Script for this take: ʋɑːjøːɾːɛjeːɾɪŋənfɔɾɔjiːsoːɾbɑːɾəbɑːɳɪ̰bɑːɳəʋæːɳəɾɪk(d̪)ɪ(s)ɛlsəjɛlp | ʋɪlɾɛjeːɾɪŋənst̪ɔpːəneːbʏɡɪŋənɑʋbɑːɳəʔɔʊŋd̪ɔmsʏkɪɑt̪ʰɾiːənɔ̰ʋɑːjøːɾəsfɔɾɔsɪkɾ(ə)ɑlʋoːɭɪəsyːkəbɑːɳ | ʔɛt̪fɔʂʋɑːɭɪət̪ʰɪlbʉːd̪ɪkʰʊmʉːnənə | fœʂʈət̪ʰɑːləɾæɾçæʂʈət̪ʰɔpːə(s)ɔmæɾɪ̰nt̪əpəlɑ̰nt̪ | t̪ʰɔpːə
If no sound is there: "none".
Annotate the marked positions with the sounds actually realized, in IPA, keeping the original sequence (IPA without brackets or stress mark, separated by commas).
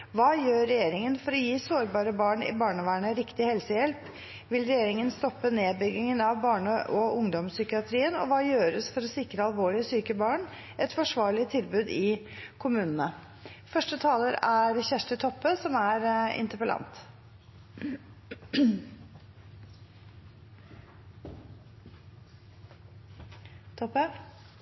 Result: t̪, h, ə, s